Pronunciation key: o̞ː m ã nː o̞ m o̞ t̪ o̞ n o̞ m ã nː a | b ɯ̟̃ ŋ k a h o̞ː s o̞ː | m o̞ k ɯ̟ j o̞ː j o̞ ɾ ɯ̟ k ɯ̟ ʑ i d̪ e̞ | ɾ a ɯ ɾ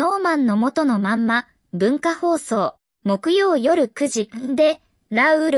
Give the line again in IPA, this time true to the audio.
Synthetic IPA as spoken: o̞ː m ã nː o̞ m o̞ t̪ o̞ n o̞ m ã mː a | b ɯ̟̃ ŋ k a h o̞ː s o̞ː | m o̞ k ɯ̟ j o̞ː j o̞ ɾ ɯ̟ k ɯ̟ ʑ i d̪ e̞ | ɾ a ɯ ɾ